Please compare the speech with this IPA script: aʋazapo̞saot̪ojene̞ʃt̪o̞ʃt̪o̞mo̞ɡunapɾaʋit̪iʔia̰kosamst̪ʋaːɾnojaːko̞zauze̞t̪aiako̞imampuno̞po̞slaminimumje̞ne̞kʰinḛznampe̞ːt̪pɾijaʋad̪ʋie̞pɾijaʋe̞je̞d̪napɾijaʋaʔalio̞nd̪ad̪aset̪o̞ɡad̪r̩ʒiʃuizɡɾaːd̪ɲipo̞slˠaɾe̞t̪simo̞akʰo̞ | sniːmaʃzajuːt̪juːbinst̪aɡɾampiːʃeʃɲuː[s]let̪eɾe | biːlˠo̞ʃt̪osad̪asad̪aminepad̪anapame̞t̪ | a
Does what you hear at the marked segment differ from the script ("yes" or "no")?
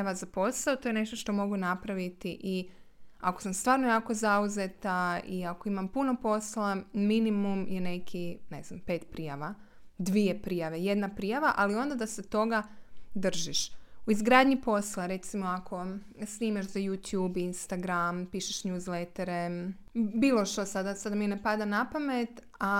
yes